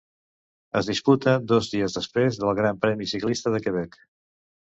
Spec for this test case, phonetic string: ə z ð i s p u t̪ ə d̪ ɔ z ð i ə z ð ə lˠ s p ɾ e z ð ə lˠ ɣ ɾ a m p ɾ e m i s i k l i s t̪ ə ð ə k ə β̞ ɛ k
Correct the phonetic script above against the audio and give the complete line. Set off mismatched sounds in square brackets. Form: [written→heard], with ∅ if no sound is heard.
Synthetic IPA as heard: ə z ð i s p u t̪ ə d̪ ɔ z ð i ə z ð ə [lˠ→∅] s p ɾ e z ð ə lˠ ɣ ɾ a m p ɾ [e→ɛ] m i s i k l i s t̪ ə ð ə k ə β̞ ɛ k